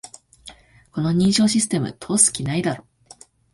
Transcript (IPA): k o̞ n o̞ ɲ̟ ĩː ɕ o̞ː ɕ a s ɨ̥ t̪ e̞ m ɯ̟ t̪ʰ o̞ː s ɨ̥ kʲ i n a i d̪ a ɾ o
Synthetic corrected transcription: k o̞ n o̞ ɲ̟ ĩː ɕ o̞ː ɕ i s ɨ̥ t̪ e̞ m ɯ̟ t̪ʰ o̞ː s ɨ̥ kʲ i n a i d̪ a ɾ o